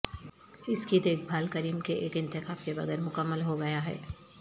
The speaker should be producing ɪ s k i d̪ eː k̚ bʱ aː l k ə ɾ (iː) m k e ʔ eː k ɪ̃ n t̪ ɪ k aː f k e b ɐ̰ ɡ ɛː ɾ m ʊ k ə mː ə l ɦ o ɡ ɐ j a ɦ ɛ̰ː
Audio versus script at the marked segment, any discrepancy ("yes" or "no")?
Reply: no